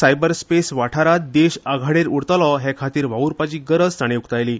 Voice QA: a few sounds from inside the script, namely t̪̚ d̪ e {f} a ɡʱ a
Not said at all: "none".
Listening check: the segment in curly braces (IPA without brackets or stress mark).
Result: ɕ